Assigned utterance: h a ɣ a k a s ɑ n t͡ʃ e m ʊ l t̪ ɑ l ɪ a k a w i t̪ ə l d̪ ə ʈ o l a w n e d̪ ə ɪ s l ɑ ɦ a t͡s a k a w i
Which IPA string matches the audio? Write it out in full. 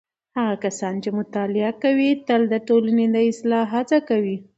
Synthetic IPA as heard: h a ɣ a k a s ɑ n t͡ʃ e m ʊ t̪ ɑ l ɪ a k a w i t̪ ə l d̪ ə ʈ o l a n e d̪ ə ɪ s l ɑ ɦ a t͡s a k a w i